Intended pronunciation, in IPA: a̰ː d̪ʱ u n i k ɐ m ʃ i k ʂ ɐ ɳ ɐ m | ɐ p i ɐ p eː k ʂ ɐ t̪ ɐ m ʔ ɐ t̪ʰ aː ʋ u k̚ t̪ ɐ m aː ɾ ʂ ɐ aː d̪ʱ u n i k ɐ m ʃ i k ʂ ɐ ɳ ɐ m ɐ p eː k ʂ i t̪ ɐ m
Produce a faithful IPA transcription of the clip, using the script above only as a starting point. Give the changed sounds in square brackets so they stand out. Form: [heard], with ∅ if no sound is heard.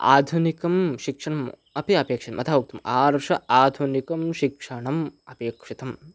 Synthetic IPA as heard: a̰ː d̪ʱ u n i k ɐ m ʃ i k ʂ ɐ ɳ ɐ m | ɐ p i ɐ p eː k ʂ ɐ t̪ ɐ m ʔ ɐ t̪ʰ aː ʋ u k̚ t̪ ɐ m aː ɾ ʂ ɐ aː d̪ʱ u n i k ɐ m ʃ i k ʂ ɐ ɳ ɐ m ɐ p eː k ʂ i t̪ ɐ m